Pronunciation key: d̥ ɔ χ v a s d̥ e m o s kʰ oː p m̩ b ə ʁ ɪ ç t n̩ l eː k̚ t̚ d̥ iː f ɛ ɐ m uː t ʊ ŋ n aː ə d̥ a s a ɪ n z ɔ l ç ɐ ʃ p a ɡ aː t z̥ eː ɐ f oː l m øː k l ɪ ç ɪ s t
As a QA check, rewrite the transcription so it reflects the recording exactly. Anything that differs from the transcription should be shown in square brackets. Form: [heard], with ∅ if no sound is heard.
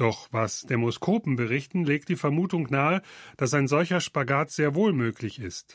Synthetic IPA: d̥ ɔ χ v a s d̥ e m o s kʰ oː p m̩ b ə ʁ ɪ ç t n̩ l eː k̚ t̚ d̥ iː f ɛ ɐ m uː t ʊ ŋ n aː ə d̥ a s a ɪ n z ɔ l ç ɐ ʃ p a ɡ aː t z̥ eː ɐ [v] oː l m øː k l ɪ ç ɪ s t